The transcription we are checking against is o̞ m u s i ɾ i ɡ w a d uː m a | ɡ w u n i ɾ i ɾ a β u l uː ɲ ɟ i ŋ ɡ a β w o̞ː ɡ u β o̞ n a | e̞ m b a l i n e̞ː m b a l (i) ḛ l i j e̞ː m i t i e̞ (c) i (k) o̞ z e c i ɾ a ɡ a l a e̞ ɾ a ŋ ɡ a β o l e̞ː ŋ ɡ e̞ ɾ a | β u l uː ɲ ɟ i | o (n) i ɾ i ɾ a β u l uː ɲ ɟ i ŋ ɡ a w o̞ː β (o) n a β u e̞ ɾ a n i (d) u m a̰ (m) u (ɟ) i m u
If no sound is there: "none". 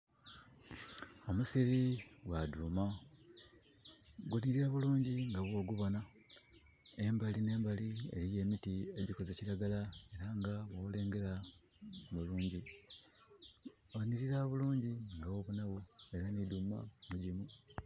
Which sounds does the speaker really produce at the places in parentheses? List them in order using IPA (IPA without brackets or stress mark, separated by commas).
i, ɟ, k, n, u, d, m, ɟ